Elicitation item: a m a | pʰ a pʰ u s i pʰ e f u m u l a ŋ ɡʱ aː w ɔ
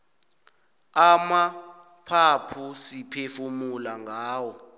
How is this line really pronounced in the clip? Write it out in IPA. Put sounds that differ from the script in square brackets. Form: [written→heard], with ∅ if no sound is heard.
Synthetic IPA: a m a | pʰ a pʰ u s i pʰ e f u m u l a ŋ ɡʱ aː w ɔ